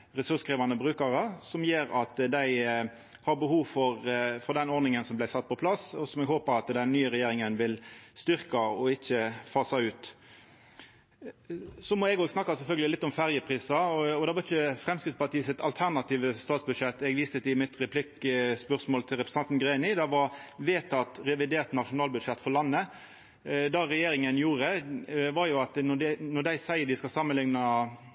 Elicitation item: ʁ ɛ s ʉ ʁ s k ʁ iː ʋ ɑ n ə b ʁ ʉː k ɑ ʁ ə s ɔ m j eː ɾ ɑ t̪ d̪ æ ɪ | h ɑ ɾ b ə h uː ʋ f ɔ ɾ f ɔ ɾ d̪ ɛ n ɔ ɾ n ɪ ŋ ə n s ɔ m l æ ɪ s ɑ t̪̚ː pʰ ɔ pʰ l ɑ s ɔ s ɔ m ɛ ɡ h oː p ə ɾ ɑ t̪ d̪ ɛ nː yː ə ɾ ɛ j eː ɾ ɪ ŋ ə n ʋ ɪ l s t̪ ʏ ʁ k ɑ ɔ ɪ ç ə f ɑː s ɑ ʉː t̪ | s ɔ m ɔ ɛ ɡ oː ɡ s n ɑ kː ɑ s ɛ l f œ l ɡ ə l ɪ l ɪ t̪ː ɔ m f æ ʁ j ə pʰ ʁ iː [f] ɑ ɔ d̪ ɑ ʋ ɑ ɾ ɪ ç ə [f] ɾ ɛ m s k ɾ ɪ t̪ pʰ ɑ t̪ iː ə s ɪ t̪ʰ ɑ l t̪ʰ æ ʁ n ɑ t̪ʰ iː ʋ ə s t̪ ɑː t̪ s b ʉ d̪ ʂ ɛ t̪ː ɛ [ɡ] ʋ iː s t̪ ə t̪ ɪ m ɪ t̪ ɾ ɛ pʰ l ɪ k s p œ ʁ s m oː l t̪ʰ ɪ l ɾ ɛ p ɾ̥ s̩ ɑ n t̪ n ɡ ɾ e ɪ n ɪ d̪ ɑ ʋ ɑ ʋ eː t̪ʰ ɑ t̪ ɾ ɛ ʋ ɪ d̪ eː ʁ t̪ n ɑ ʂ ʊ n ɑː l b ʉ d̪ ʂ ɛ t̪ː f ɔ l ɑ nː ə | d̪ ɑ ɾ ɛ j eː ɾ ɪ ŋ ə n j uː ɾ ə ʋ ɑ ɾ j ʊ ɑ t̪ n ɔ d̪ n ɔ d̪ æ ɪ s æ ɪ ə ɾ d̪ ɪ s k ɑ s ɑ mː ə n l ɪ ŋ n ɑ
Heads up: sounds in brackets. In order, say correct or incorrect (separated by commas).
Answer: incorrect, correct, correct